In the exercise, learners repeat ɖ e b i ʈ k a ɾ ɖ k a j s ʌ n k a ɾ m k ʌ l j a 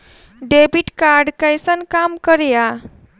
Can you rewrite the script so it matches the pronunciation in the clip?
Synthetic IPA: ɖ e b i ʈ k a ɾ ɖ k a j s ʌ n k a m k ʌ ɾ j a